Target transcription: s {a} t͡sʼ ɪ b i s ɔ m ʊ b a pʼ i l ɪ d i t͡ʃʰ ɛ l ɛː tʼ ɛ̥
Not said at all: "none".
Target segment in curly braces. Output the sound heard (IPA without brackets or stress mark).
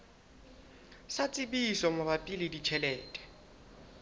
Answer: a